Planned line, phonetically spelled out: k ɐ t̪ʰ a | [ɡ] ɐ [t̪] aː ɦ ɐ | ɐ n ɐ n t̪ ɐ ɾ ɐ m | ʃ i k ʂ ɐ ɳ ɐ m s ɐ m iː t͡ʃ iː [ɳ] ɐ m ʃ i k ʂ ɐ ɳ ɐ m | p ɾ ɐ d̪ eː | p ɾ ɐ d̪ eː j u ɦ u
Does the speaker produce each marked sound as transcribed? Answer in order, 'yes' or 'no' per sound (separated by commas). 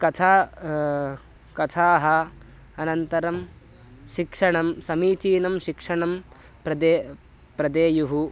no, no, no